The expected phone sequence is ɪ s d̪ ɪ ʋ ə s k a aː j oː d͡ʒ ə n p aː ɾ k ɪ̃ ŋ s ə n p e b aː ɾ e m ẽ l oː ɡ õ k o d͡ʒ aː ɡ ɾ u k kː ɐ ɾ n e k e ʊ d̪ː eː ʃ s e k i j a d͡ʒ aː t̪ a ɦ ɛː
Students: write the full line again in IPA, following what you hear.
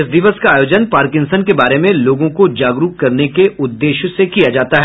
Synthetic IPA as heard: ɪ s d̪ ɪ ʋ ə s k a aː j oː d͡ʒ ə n p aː ɾ k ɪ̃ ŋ s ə n k e b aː ɾ e m ẽ l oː ɡ õ k o d͡ʒ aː ɡ ɾ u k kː ɐ ɾ n e k e ʊ d̪ː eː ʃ s e k i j a d͡ʒ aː t̪ a ɦ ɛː